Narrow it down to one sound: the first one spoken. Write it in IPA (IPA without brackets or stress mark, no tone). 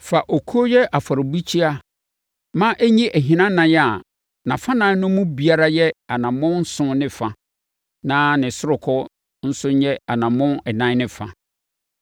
f